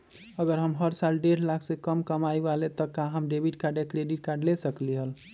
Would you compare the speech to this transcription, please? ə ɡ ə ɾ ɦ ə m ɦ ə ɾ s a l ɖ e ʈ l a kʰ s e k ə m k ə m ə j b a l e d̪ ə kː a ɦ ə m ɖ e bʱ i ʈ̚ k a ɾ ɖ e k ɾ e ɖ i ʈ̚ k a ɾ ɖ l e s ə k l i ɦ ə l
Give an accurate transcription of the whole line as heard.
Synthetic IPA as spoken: ə ɡ ə ɾ ɦ ə m ɦ ə ɾ s a l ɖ e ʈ l a kʰ s e k ə m k ə m a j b a l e t̪ ə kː a ɦ ə m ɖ e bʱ i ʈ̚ k a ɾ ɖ e k ɾ e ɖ i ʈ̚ k a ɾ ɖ l e s ə k l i ɦ ə l